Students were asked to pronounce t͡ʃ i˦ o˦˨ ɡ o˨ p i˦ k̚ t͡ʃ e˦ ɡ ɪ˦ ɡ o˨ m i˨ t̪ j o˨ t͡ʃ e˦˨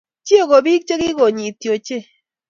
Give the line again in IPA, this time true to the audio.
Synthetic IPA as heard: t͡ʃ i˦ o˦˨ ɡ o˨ b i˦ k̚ t͡ʃ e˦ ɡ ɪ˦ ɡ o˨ ɲ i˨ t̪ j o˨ t͡ʃ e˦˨